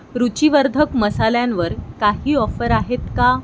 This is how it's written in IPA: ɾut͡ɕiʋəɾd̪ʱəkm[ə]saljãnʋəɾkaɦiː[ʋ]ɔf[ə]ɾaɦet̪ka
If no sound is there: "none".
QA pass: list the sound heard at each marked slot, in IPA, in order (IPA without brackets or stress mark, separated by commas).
ə, none, ə